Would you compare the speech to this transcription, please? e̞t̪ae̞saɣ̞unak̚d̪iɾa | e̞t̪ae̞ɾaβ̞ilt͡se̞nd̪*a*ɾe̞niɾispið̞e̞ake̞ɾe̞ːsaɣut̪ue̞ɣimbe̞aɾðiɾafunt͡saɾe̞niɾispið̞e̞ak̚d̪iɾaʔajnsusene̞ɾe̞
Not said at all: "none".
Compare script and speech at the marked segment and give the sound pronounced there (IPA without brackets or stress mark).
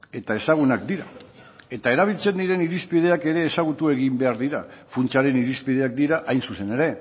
i